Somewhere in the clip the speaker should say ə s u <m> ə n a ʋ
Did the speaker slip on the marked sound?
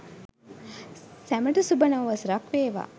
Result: yes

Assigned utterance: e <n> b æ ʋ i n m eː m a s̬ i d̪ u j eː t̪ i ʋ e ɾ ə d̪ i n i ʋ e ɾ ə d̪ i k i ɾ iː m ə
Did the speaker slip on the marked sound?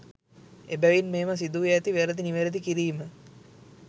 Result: yes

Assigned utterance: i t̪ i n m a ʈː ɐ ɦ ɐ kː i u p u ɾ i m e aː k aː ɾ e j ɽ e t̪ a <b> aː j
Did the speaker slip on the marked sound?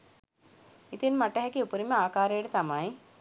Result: yes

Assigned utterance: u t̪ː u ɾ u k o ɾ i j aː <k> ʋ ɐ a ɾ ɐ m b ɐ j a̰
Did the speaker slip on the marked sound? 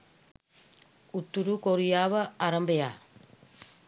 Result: yes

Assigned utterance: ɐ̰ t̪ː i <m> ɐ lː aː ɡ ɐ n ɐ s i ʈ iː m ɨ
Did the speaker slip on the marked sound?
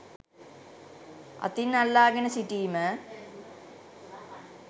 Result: yes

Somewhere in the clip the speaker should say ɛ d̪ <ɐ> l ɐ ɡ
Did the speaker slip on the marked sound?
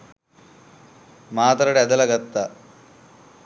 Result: no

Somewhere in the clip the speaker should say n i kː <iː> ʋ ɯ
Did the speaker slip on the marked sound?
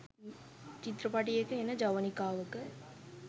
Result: yes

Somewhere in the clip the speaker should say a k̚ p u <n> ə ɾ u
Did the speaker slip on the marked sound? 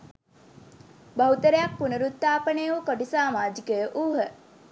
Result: no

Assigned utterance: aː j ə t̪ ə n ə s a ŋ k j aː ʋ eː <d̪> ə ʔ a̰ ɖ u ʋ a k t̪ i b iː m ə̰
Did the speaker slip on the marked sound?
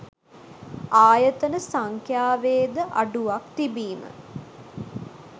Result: no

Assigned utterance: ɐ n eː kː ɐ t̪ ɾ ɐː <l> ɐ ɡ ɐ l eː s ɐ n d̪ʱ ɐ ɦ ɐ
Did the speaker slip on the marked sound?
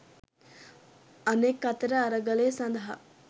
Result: yes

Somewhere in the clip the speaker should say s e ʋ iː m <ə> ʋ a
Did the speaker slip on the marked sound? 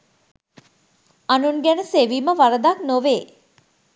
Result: no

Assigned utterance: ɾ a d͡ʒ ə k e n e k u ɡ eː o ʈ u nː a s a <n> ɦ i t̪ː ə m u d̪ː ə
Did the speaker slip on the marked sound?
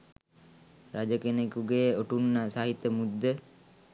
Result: yes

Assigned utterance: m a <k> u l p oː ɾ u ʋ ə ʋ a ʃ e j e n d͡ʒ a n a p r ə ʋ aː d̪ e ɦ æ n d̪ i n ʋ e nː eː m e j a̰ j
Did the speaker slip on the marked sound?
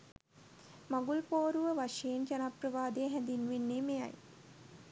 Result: yes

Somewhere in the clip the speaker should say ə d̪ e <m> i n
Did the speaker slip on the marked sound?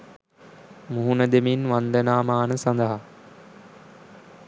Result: no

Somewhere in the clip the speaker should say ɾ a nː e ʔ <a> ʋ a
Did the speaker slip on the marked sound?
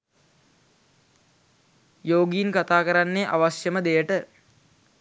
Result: no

